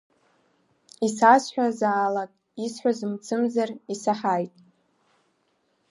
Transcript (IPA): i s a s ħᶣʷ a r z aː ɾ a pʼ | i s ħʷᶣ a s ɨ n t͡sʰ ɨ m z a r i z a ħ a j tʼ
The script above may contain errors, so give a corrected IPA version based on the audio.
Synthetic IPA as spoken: i s a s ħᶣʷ a z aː l a kʼ | i s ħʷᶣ a z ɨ m t͡sʰ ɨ m z a r i s a ħ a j tʼ